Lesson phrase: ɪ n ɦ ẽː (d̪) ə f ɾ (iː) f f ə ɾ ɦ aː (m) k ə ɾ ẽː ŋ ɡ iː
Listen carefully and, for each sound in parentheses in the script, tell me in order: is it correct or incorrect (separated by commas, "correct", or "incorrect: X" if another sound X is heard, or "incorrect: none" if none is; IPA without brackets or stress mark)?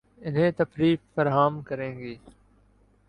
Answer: incorrect: t̪, correct, correct